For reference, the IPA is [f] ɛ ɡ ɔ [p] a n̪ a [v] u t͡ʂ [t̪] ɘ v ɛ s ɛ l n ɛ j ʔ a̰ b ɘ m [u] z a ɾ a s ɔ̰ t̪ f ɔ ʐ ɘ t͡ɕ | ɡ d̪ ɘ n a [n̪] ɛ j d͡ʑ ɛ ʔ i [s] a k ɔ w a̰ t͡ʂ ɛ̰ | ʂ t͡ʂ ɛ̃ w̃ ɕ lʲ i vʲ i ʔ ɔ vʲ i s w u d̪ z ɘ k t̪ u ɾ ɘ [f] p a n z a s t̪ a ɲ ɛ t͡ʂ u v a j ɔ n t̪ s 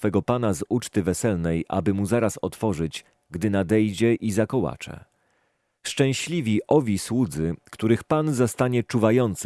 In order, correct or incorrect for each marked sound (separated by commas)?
correct, correct, incorrect, correct, correct, incorrect, incorrect, incorrect